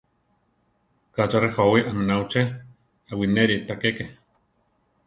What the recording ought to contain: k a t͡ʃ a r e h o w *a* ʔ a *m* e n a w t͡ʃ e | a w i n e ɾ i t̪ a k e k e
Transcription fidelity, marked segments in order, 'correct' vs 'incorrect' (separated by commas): incorrect, correct